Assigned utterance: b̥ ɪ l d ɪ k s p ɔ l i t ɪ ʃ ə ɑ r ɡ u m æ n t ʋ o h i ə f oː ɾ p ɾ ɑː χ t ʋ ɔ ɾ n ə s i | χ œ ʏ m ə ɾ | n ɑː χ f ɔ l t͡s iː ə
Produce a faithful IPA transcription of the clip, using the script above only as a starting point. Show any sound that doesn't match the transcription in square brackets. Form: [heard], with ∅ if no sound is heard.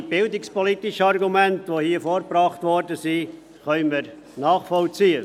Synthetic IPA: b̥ ɪ l d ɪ k s p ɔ l i t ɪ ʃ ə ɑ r ɡ u m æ n t ʋ o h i ə f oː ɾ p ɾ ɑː χ t ʋ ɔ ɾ [d] ə s i | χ œ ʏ m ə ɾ | n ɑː χ f ɔ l t͡s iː ə